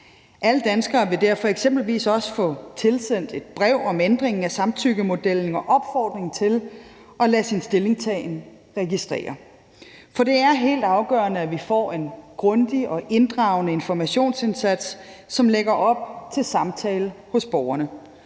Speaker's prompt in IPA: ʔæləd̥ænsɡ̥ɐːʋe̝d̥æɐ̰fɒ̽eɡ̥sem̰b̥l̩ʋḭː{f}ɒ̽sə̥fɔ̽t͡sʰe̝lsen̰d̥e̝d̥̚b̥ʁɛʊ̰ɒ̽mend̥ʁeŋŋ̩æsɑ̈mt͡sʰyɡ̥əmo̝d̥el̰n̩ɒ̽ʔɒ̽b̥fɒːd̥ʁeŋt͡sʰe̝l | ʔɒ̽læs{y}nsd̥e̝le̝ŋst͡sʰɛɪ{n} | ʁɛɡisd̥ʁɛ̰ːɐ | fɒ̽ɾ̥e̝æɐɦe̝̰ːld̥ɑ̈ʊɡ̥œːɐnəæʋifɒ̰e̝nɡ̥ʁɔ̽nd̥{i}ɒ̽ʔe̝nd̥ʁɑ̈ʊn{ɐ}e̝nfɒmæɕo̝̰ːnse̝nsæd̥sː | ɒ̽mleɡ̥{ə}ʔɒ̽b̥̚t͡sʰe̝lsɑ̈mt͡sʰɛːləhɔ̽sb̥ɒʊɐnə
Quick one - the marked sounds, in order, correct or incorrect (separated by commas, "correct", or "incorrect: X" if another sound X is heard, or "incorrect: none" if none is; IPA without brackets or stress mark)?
incorrect: s, incorrect: i, correct, correct, incorrect: ə, incorrect: ɐ